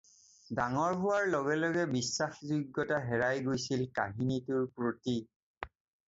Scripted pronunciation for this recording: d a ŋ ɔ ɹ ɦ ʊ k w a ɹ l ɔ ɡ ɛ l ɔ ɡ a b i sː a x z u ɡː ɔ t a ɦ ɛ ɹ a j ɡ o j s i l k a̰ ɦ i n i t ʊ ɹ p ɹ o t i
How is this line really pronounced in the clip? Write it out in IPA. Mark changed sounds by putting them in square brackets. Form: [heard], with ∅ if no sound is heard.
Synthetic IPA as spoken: d a ŋ ɔ ɹ ɦ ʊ [∅] w a ɹ l ɔ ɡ ɛ l ɔ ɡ [ɛ] b i sː a x z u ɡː ɔ t a ɦ ɛ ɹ a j ɡ o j s i l k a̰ ɦ i n i t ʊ ɹ p ɹ o t i